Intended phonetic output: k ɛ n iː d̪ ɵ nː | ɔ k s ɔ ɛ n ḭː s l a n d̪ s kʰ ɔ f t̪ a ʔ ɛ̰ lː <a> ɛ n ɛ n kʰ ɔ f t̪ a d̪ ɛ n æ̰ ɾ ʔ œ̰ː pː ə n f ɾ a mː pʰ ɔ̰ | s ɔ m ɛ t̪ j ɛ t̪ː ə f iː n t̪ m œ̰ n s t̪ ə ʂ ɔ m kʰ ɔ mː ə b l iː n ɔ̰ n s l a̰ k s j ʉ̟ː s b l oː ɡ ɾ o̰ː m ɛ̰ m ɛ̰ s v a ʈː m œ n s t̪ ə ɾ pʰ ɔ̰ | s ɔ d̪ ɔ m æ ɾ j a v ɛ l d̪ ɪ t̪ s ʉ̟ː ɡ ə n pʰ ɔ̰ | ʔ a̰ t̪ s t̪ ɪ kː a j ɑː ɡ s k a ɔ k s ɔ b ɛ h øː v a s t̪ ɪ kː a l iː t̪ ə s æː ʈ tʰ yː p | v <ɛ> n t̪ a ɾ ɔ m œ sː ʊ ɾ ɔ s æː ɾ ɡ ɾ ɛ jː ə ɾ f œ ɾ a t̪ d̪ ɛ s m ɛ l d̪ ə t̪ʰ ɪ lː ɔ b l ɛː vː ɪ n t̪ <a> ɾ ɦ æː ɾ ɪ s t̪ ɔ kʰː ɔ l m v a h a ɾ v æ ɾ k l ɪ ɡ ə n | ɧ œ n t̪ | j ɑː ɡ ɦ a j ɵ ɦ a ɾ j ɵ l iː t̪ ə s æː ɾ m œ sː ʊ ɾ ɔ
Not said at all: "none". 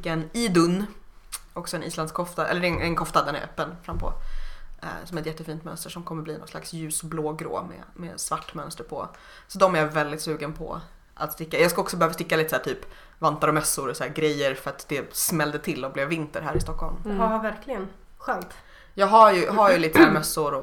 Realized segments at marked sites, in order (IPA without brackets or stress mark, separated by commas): ə, a, ə